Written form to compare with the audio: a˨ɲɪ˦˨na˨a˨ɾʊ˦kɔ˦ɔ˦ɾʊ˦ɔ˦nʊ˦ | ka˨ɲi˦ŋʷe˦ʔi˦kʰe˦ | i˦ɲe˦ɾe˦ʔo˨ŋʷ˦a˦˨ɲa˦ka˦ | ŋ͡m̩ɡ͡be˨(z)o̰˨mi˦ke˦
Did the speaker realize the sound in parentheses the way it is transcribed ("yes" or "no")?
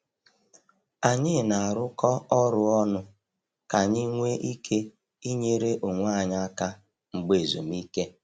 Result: yes